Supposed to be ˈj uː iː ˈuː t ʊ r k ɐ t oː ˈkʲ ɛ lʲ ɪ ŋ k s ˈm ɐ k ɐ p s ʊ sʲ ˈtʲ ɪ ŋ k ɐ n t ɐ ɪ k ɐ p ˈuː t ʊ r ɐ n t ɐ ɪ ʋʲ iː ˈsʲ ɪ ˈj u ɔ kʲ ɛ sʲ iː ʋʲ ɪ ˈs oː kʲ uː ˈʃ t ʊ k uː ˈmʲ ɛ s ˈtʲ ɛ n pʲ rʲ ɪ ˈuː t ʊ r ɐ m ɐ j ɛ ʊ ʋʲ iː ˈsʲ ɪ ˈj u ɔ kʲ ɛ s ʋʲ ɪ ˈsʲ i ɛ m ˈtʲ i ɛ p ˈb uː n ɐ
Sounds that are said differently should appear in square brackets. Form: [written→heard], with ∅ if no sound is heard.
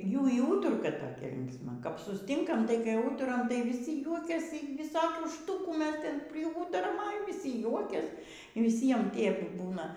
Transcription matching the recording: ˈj uː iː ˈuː t ʊ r k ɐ t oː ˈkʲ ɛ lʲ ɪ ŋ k s ˈm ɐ k ɐ p s ʊ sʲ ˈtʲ ɪ ŋ k ɐ [n→m] t ɐ ɪ k ɐ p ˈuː t ʊ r ɐ [n→m] t ɐ ɪ ʋʲ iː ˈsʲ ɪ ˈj u ɔ kʲ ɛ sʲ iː ʋʲ ɪ ˈs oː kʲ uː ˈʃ t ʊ k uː ˈmʲ ɛ s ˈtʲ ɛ n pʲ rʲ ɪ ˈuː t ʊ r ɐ m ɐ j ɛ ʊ ʋʲ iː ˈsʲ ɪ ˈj u ɔ kʲ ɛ s ʋʲ ɪ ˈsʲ i ɛ m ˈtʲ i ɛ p ˈb uː n ɐ